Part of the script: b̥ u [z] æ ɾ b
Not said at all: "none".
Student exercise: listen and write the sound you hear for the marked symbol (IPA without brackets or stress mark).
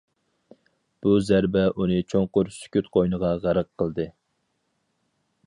z